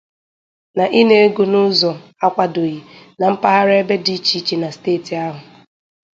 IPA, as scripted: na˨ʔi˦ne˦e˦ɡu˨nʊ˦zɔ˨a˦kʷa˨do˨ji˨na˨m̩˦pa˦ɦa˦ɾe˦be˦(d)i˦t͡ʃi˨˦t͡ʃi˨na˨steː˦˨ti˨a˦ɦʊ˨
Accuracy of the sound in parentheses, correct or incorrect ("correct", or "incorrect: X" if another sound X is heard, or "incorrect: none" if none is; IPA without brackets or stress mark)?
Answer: correct